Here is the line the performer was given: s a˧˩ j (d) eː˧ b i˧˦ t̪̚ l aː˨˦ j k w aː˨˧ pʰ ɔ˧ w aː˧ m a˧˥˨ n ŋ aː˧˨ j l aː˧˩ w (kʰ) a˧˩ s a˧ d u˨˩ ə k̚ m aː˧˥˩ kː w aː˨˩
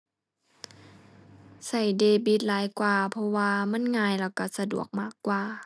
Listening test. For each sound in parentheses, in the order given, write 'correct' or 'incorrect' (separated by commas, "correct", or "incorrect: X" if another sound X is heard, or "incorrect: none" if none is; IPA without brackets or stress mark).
correct, incorrect: k